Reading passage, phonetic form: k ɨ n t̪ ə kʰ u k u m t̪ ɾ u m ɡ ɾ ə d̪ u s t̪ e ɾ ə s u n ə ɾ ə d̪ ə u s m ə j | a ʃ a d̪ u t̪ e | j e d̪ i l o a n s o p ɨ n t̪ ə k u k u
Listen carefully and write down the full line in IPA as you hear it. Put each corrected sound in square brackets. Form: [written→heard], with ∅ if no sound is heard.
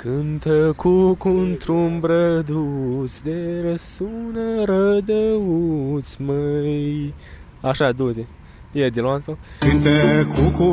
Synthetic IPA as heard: k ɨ n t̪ ə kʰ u k u [m→n] t̪ ɾ u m [ɡ→b] ɾ ə d̪ u s [t̪→d̪] e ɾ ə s u n ə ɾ ə d̪ ə u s m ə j | a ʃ a d̪ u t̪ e | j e d̪ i l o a n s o [p→k] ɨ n t̪ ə k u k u